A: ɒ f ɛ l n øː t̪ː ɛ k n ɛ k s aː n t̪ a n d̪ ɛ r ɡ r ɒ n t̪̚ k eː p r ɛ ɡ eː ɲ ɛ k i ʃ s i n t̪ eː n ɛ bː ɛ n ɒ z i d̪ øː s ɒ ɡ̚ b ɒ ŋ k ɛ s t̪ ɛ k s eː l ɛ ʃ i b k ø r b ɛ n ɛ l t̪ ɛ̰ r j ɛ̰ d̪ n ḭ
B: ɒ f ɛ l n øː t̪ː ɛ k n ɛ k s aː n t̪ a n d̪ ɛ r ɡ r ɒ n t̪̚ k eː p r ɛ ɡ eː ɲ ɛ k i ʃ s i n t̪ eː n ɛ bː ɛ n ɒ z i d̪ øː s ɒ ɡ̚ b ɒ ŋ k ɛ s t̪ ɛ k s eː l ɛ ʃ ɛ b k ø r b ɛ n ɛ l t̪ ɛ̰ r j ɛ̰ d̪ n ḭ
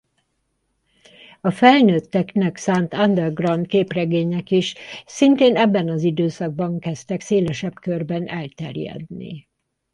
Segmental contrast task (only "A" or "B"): B